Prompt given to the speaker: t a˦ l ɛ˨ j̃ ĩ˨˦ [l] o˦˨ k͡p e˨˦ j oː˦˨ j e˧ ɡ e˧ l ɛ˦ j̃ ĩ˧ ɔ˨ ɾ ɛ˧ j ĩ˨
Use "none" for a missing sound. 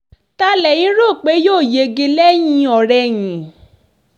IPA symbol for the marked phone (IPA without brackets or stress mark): ɾ